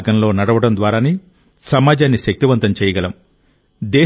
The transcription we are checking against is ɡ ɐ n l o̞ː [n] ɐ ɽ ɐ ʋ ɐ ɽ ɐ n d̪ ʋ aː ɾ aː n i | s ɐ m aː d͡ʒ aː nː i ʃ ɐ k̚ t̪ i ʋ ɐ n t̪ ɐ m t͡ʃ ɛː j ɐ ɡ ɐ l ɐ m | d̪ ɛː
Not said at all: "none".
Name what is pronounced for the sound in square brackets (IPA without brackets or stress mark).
n